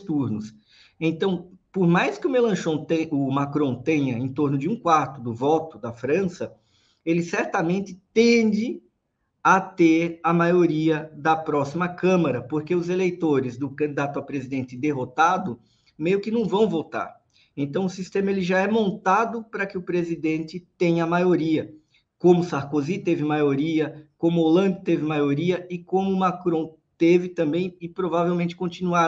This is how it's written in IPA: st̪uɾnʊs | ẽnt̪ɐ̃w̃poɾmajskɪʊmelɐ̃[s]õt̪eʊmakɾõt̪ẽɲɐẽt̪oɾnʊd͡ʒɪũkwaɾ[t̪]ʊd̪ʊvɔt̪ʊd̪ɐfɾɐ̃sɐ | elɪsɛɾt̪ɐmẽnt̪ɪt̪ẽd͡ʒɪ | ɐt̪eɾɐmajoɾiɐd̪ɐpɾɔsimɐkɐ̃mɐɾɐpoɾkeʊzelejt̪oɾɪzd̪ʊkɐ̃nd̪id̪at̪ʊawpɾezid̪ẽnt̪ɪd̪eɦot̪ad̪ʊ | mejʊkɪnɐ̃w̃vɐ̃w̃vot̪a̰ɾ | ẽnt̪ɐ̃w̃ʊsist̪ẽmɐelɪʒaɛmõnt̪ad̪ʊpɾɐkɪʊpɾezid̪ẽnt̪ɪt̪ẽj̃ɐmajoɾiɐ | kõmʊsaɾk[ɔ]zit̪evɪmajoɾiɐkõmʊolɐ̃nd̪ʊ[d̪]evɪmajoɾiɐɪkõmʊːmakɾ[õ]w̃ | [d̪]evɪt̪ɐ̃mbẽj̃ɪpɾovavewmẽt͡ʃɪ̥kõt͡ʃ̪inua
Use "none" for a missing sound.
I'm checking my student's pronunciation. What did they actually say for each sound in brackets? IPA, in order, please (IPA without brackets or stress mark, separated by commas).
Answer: ʃ, t̪, o, t̪, õ, t̪